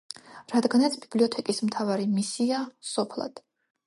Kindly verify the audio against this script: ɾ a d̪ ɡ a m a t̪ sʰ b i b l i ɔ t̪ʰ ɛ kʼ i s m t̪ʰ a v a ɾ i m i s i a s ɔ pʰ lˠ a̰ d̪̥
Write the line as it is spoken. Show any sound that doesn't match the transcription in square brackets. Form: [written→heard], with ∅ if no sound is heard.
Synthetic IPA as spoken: ɾ a d̪ ɡ a [m→n] a t̪ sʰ b i b l i ɔ t̪ʰ ɛ kʼ i s m t̪ʰ a v a ɾ i m i s i a s ɔ pʰ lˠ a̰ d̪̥